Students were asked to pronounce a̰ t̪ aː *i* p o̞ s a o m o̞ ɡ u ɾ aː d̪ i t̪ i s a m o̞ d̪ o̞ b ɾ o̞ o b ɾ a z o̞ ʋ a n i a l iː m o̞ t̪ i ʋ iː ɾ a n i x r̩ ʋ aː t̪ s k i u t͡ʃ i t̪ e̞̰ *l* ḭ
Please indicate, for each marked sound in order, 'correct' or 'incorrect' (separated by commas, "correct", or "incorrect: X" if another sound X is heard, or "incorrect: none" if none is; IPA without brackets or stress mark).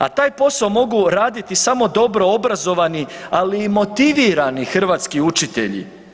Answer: incorrect: j, incorrect: ʎ